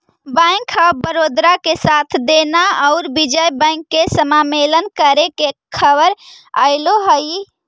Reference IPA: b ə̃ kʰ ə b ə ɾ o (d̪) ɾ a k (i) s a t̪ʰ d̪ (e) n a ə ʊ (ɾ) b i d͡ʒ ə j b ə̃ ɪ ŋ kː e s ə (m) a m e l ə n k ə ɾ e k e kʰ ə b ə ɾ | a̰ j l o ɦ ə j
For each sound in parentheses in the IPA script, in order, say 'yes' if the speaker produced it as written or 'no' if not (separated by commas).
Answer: yes, no, yes, yes, yes